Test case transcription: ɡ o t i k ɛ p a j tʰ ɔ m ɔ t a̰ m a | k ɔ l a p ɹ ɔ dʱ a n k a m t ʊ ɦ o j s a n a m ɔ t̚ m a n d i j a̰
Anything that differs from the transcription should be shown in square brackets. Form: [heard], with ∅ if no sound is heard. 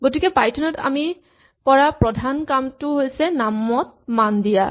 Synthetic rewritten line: ɡ o t i k ɛ p a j tʰ ɔ [n] ɔ t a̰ m [i] | k ɔ [ɹ] a p ɹ ɔ dʱ a n k a m t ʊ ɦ o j s [ɛ] n a m ɔ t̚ m a n d i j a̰